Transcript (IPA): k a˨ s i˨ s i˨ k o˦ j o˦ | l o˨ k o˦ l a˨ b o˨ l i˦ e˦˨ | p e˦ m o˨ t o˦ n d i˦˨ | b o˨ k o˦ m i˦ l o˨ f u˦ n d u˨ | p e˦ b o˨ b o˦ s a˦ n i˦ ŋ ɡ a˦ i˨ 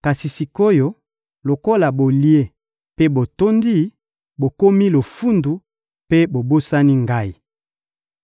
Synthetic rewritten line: k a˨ s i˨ s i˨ k o˦ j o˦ | l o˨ k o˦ l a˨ b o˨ l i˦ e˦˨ | p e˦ b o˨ t o˦ n d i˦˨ | b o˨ k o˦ m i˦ l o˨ f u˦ n d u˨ | p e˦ b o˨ b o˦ s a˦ n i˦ ŋ ɡ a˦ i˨